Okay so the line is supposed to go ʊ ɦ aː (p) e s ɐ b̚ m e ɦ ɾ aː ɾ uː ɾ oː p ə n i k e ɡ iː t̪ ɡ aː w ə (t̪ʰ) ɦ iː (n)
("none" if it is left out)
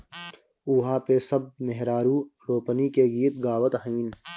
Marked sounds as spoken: p, t̪, n

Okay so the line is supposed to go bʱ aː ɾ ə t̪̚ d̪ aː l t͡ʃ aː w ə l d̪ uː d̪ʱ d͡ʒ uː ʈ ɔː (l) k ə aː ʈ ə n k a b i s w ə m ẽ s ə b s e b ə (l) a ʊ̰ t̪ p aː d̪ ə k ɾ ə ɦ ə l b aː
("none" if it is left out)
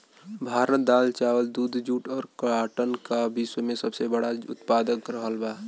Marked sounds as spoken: ɾ, ɽ

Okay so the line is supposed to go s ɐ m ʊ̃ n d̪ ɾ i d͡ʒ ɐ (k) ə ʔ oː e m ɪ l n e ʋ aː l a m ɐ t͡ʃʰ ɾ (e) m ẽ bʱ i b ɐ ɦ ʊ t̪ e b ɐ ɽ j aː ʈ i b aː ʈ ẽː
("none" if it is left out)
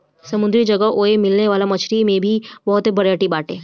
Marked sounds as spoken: ɡ, i

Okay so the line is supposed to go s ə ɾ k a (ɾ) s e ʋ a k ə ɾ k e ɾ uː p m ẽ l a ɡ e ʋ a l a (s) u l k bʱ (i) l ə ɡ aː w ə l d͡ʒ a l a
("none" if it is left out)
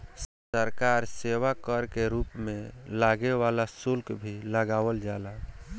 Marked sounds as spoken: ɾ, s, i

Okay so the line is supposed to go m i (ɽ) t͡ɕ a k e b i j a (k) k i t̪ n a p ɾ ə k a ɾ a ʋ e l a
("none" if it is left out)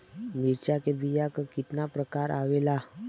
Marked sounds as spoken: ɾ, k

